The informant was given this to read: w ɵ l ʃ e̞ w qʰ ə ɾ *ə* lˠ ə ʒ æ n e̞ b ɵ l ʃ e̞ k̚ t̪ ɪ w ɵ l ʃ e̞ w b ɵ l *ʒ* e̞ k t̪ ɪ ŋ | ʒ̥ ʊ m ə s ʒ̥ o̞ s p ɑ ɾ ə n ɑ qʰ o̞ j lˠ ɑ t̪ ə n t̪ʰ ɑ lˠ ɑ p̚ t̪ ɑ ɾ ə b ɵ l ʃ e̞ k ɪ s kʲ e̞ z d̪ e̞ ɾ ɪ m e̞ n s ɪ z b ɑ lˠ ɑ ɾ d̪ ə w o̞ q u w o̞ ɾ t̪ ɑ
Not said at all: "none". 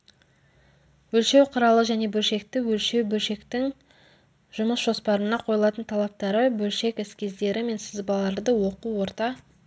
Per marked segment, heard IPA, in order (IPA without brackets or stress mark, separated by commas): ɑ, ʃ